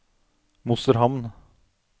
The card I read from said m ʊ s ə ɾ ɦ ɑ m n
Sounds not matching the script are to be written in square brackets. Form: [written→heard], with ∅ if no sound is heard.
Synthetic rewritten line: m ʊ s ə ɾ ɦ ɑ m n